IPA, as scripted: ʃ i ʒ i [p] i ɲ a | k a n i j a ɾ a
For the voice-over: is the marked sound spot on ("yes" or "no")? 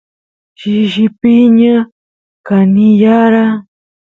yes